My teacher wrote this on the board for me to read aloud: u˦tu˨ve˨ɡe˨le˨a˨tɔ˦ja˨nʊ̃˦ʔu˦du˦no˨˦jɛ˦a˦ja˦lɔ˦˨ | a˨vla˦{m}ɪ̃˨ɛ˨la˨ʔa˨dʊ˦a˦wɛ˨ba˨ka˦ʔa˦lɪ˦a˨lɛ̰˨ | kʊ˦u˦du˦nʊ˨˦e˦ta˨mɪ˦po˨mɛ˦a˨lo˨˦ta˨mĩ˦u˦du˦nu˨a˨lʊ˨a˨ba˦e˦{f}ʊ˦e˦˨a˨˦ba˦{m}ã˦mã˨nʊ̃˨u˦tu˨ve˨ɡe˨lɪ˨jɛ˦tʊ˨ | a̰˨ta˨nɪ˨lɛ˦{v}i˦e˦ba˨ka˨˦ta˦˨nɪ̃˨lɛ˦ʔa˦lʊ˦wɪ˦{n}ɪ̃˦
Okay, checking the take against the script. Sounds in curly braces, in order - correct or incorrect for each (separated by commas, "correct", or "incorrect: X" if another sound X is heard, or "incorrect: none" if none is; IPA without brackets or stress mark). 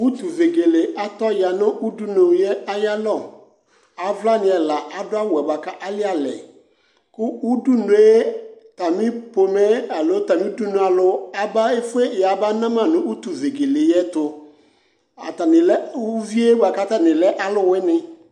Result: incorrect: n, correct, incorrect: n, correct, correct